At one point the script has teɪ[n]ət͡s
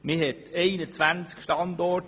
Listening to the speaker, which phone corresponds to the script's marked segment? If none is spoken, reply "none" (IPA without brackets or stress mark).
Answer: n